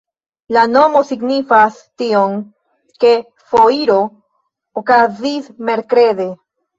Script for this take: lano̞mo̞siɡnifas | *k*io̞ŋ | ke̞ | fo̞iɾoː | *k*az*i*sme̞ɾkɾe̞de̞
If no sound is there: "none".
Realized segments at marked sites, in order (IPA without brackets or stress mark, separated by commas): t, k, i